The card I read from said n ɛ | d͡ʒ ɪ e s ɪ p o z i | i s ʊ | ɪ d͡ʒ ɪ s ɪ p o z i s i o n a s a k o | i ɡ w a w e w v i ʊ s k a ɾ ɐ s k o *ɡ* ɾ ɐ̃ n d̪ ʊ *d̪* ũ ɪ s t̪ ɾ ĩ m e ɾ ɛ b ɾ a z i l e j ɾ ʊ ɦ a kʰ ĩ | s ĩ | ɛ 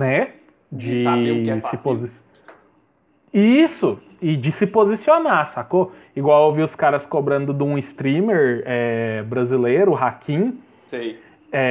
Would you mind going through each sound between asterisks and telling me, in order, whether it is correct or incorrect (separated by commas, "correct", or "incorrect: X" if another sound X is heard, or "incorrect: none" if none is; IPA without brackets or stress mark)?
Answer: incorrect: b, correct